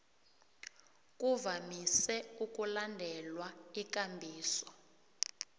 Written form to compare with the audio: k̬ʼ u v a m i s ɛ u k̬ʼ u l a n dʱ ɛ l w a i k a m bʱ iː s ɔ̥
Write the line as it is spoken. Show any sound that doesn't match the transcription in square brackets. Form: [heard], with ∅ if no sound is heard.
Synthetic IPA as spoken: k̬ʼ u v a m i s ɛ u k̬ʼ u l a n dʱ ɛ l w a i k a m bʱ iː s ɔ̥